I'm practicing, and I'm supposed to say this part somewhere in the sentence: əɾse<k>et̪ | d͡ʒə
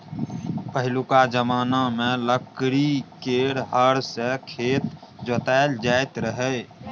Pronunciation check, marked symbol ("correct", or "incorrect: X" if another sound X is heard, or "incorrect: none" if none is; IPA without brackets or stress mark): incorrect: kʰ